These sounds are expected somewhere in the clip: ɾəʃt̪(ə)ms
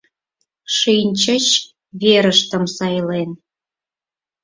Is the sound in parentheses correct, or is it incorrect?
correct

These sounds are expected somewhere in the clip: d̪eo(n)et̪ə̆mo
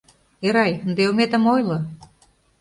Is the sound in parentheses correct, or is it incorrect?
incorrect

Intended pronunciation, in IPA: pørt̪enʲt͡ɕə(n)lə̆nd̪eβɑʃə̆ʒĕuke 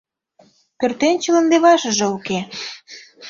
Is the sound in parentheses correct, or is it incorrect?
incorrect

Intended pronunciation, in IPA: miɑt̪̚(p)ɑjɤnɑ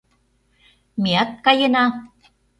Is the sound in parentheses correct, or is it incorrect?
incorrect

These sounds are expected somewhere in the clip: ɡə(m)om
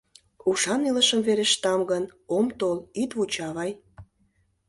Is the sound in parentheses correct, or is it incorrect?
incorrect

